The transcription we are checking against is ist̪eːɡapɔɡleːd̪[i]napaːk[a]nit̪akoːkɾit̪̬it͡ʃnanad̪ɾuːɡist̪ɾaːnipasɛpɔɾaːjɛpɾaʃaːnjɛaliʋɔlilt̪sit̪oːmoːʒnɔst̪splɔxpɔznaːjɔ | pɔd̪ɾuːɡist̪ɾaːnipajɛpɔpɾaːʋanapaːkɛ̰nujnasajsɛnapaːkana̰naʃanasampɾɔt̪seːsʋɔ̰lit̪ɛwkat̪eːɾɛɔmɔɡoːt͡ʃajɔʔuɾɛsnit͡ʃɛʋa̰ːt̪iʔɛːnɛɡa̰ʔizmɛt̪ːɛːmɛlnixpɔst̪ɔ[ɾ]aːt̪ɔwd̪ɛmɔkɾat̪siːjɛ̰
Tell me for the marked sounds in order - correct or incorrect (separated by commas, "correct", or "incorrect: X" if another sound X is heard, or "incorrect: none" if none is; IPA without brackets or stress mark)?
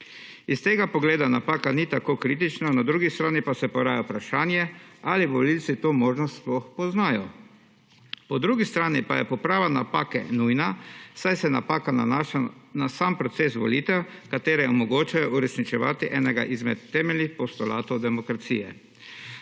incorrect: a, correct, incorrect: l